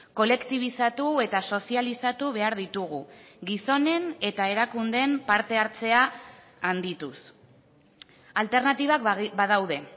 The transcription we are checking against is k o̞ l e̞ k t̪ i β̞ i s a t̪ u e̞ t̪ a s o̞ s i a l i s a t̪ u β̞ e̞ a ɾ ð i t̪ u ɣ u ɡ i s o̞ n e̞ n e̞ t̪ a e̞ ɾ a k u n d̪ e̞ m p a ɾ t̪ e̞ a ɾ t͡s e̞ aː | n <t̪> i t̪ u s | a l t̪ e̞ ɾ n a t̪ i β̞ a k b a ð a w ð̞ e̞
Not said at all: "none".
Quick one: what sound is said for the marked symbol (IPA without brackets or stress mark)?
d̪